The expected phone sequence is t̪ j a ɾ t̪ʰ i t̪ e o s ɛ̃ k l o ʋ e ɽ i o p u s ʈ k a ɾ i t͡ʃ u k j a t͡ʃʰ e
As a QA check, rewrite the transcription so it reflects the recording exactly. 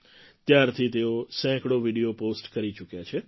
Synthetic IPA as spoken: t̪ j a ɾ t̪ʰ i t̪ e o s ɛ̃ k ɽ o ʋ i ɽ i o p o s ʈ k ə ɾ i t͡ʃ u k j a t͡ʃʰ e